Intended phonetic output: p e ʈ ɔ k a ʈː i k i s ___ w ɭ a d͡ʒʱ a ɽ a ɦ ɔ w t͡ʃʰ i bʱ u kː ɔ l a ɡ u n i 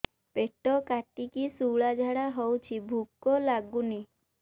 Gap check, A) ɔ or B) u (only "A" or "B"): B